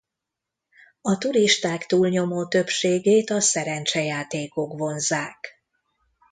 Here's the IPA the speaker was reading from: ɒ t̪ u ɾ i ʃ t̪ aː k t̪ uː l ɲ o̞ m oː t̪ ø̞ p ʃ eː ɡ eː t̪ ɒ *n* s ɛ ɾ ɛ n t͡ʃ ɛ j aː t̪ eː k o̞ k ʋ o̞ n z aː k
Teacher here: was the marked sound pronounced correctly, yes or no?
no